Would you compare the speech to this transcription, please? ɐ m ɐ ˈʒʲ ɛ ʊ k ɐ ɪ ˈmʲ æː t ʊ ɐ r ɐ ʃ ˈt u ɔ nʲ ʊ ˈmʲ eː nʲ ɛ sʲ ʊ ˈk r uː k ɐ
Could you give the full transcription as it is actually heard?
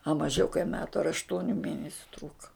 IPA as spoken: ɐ m ɐ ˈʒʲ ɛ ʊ k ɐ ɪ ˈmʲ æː t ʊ ɐ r ɐ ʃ ˈt u ɔ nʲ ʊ ˈmʲ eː nʲ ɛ sʲ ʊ ˈt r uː k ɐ